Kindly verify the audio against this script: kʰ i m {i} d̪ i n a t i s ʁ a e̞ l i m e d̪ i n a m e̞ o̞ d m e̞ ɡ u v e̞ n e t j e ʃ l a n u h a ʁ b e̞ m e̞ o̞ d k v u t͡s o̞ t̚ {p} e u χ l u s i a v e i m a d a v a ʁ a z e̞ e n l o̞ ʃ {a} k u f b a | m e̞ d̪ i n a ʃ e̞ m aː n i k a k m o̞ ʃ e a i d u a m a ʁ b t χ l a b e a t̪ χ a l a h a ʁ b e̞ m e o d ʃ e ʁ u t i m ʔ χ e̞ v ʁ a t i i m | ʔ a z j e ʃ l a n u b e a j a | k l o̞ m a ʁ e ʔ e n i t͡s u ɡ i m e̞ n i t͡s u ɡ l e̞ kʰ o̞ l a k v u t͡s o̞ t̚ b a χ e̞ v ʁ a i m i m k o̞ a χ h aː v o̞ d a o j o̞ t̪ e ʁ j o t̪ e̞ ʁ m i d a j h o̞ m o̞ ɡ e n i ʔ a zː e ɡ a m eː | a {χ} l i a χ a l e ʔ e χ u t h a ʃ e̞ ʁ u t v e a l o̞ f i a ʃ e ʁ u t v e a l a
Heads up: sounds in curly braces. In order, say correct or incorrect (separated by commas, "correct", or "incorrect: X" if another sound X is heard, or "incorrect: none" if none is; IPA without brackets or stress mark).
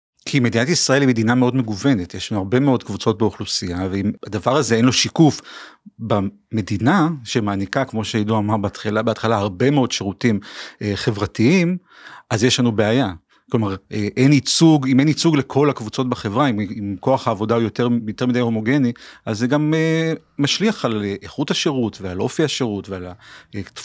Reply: incorrect: e, incorrect: b, incorrect: i, incorrect: ʃ